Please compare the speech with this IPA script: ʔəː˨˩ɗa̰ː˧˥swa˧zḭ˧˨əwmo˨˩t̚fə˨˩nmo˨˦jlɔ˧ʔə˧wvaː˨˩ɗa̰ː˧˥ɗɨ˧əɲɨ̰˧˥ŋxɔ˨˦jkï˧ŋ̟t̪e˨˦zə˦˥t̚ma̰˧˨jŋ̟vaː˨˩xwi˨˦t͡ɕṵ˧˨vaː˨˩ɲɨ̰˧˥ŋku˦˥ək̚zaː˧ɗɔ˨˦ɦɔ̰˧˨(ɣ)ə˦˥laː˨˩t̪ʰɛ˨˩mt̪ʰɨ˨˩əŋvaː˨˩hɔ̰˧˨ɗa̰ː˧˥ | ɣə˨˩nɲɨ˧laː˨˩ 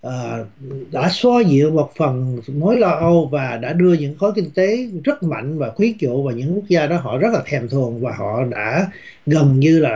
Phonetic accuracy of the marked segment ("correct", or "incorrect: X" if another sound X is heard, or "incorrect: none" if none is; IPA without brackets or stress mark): incorrect: z